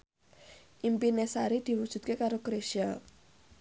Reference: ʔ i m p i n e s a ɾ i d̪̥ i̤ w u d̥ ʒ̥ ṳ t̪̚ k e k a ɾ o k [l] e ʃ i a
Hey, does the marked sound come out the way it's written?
no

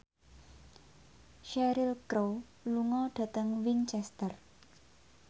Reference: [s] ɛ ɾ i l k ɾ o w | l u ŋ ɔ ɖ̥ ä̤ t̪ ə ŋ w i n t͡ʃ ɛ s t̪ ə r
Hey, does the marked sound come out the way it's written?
no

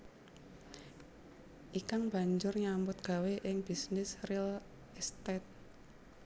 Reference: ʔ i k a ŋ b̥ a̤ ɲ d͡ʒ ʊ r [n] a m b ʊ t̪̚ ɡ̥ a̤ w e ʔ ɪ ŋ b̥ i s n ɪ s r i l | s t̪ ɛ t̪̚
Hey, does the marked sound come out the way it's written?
no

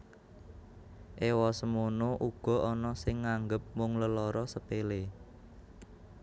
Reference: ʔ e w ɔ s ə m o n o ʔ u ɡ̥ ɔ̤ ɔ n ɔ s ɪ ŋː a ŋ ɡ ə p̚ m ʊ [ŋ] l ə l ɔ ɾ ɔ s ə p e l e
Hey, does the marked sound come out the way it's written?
yes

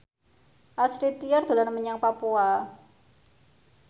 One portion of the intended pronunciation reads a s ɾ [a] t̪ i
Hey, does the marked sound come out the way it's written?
no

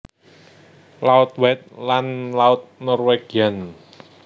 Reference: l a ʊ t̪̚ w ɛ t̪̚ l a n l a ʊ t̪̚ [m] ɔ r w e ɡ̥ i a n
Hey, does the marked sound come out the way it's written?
no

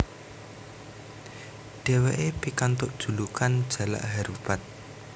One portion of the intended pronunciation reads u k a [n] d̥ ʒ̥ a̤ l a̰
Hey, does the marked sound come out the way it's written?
yes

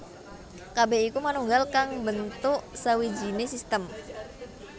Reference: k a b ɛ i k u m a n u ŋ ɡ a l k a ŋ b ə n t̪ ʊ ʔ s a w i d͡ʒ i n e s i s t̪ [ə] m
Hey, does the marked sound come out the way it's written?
yes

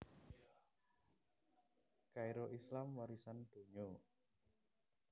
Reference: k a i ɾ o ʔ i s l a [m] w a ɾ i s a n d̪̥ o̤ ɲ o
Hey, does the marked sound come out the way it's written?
yes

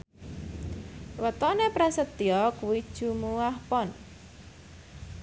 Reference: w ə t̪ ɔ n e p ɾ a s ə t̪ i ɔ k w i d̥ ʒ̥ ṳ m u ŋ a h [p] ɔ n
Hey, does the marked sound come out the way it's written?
yes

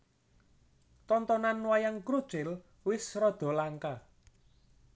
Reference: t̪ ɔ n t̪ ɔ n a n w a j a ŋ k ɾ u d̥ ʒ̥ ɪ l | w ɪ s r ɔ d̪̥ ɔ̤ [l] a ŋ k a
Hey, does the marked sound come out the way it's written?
yes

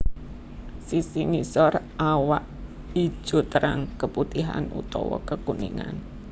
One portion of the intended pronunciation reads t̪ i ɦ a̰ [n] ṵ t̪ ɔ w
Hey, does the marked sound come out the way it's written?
yes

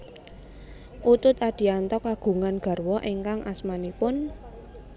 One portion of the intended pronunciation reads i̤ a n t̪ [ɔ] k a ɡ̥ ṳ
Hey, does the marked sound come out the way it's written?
yes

